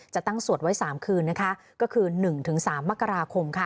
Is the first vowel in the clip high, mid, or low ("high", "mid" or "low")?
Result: low